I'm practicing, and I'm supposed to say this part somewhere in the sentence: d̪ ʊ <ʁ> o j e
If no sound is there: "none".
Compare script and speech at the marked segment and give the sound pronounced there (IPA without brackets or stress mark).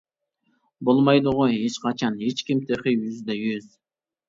ʁ